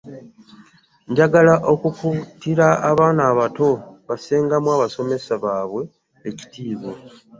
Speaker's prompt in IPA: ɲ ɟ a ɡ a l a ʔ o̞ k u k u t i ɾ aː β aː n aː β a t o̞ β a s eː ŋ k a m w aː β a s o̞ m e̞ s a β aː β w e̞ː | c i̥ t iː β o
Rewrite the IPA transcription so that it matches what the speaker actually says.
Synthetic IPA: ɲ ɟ a ɡ a l a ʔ o̞ k u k u t i ɾ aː β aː n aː β a t o̞ β a s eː ŋ ɡ a m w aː β a s o̞ m e̞ s a β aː β w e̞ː | c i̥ t iː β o